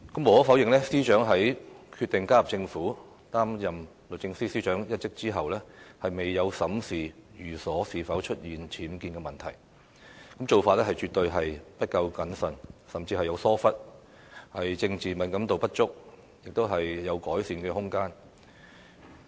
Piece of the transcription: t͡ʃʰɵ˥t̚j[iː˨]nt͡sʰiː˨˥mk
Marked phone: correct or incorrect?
correct